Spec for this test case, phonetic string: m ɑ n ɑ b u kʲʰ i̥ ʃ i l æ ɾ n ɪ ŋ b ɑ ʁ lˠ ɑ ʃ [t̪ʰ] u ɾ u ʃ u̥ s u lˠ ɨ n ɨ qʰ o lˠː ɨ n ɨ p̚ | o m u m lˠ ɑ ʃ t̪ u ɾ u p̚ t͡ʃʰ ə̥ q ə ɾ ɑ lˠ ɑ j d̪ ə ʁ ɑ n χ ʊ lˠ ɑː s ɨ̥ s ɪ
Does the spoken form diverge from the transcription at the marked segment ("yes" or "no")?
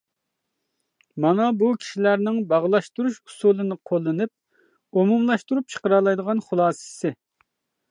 yes